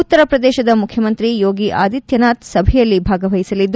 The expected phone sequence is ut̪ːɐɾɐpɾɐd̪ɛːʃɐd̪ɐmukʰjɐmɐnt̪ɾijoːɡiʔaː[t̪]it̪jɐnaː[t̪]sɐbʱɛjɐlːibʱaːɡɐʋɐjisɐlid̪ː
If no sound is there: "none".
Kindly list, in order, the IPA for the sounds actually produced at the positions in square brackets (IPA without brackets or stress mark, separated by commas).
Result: d̪, t̪